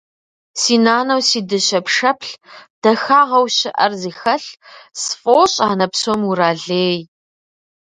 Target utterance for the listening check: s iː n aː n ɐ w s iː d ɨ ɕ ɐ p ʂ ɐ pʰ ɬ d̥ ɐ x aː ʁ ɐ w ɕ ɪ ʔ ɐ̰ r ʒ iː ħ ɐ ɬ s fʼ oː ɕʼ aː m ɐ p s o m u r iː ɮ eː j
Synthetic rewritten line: s iː n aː n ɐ w s iː d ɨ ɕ ɐ p ʂ ɐ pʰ ɬ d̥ ɐ x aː ʁ ɐ w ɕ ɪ ʔ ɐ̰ r z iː x ɐ ɬ s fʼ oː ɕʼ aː n ɐ p s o m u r aː ɮ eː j